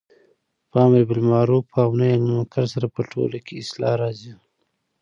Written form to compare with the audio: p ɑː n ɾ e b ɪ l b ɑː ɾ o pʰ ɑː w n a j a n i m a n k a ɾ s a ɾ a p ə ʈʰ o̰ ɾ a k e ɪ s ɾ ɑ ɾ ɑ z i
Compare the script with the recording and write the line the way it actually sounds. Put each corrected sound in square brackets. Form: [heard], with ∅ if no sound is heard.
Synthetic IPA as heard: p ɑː [m] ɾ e b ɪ l [m] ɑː ɾ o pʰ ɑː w n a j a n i m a [∅] k a ɾ s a ɾ a p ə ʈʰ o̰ [l] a k e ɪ s [l] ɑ ɾ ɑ z i